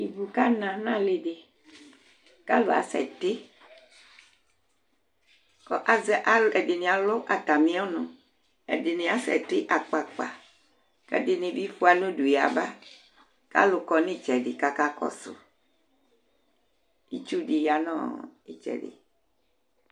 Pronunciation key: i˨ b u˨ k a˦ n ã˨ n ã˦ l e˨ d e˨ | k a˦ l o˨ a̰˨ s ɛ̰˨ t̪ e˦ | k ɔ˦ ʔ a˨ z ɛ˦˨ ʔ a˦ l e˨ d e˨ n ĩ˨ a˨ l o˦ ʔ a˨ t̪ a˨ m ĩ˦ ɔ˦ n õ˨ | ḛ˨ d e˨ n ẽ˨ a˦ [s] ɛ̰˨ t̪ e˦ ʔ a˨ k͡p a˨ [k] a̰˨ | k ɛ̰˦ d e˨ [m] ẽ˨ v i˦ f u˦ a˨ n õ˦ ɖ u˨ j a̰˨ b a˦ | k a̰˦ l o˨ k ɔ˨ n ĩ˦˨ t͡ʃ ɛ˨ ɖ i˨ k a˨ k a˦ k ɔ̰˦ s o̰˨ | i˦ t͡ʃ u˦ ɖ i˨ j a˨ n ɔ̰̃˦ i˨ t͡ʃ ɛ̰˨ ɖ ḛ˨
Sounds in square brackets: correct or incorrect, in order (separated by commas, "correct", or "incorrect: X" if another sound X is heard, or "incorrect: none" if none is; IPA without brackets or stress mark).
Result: correct, incorrect: k͡p, incorrect: n